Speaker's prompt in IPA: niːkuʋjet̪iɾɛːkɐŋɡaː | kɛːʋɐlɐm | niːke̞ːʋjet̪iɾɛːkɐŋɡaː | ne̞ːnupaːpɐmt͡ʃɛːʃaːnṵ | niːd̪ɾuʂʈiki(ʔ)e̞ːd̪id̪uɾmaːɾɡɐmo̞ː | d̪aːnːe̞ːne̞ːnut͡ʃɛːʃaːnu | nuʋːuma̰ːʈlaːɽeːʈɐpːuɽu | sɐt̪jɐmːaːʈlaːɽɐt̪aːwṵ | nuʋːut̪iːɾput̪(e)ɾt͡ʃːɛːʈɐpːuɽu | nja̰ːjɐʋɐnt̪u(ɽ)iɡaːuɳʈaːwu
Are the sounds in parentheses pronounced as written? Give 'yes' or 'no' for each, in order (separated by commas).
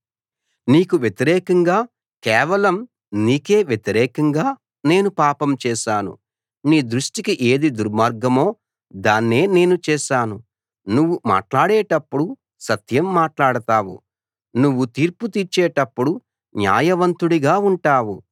yes, no, yes